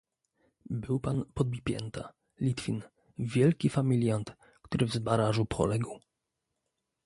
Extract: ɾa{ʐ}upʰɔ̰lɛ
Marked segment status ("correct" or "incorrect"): correct